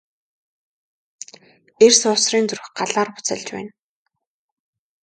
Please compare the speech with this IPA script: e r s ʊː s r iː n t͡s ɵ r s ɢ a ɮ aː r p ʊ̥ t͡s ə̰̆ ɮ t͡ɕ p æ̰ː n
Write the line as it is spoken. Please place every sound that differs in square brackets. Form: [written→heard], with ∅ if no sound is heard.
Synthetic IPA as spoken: e r s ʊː s r iː n t͡s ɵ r [s→x] ɢ a ɮ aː r p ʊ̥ t͡s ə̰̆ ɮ t͡ɕ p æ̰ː n